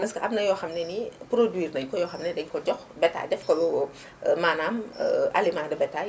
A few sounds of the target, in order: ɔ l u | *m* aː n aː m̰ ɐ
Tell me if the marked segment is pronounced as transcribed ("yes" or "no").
yes